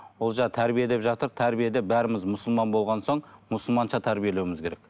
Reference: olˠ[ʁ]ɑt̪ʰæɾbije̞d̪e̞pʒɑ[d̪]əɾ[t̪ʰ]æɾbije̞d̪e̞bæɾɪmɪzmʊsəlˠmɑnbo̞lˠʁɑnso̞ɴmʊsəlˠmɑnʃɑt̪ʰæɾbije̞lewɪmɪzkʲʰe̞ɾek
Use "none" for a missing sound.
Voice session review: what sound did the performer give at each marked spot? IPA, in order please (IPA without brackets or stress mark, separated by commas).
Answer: ʒ, t̪, t̪ʰ